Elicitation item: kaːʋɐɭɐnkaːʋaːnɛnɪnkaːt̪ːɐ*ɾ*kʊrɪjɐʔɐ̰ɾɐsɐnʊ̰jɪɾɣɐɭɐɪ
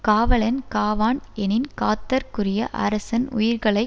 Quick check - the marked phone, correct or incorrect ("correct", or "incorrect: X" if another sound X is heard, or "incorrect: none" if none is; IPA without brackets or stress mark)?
correct